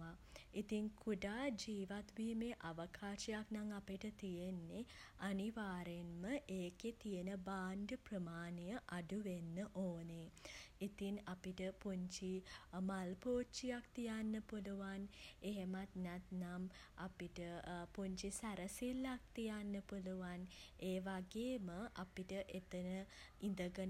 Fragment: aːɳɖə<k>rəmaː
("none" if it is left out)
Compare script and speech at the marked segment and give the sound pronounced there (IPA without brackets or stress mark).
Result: p